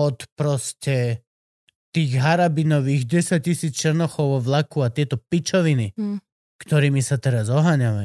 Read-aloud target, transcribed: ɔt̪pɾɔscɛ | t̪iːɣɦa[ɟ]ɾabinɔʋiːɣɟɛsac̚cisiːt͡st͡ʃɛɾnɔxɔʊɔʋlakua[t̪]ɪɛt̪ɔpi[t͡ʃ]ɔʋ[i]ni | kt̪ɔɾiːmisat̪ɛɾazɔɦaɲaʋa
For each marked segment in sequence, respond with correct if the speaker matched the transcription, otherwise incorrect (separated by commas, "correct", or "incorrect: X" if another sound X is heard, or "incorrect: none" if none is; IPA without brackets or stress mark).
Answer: incorrect: none, correct, correct, correct